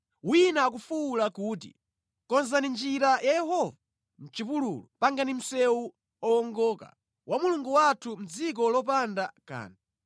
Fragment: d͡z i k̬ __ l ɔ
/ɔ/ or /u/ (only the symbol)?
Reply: ɔ